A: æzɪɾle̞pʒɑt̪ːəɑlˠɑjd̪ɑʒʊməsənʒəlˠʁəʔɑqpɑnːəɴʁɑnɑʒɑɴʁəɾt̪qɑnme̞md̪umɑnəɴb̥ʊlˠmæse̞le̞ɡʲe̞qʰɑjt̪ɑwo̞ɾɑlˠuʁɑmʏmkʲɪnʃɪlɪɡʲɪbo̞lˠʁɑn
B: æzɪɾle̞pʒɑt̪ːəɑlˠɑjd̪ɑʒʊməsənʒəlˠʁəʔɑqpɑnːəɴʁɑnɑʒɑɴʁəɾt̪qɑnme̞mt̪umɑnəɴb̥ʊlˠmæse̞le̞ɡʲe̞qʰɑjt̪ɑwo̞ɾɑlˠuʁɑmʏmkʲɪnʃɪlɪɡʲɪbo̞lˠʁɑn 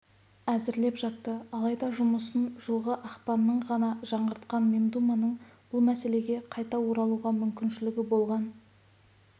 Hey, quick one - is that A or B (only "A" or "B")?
A